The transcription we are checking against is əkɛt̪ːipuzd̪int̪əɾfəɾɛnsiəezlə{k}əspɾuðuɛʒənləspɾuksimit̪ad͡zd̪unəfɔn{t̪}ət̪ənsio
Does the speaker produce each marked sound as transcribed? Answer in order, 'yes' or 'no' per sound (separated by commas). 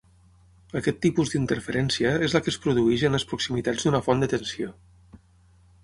yes, no